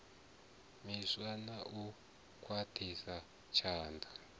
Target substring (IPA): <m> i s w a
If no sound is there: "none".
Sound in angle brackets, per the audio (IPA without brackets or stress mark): m